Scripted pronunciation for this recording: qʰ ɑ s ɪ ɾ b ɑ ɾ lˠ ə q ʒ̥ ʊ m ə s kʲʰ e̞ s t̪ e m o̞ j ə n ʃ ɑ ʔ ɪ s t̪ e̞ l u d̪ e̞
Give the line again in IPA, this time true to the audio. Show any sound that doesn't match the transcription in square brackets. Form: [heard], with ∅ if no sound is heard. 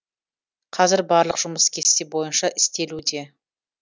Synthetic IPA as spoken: qʰ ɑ [z] ɪ ɾ b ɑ ɾ lˠ ə q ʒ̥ ʊ m ə s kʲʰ e̞ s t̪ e [b] o̞ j ə n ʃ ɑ ʔ ɪ s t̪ e̞ l u d̪ e̞

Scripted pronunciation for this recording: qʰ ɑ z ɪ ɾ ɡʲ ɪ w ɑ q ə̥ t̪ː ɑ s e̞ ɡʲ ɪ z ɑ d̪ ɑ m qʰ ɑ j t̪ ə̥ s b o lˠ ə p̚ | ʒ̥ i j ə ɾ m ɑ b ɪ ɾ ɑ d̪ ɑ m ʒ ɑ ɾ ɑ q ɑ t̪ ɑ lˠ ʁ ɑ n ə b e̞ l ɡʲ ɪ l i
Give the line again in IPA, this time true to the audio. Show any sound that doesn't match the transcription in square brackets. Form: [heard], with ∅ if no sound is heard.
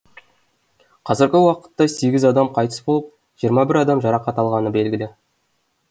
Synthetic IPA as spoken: qʰ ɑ z ɪ ɾ ɡʲ ɪ w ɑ q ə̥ t̪ː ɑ s e̞ ɡʲ ɪ z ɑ d̪ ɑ m qʰ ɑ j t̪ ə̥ s b o lˠ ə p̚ | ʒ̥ i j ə ɾ m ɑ b ɪ ɾ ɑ d̪ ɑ m ʒ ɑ ɾ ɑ q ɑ t̪ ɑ lˠ ʁ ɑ n ə b e̞ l ɡʲ ɪ l [ɪ]

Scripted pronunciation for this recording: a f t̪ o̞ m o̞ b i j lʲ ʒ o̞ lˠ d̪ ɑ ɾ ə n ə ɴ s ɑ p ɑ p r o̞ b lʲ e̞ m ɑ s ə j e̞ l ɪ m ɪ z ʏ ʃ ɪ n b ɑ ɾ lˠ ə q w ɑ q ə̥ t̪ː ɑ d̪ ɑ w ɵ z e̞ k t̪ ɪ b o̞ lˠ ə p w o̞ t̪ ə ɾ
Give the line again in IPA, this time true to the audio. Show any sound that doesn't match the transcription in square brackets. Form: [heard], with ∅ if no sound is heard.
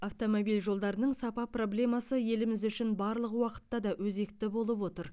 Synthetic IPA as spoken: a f t̪ o̞ m o̞ b i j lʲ ʒ o̞ lˠ d̪ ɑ ɾ ə n ə ɴ s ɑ p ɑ p r o̞ b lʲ e̞ m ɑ s ə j e̞ l ɪ m ɪ z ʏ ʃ ɪ n b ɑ ɾ lˠ ə q w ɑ q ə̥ t̪ː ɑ d̪ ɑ w ɵ z e̞ k t̪ ɪ b o̞ lˠ ə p w o̞ t̪ ə ɾ

